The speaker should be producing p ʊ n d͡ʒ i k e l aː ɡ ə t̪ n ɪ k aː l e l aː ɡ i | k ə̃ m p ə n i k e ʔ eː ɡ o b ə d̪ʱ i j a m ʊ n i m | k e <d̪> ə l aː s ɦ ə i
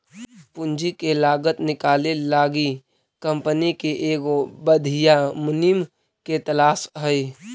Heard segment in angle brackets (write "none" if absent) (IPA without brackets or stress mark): t̪